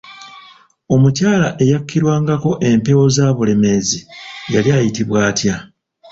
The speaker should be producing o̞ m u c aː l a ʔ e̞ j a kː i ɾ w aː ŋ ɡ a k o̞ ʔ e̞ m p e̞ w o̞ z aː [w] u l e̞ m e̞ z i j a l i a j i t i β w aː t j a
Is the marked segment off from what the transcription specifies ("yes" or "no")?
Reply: yes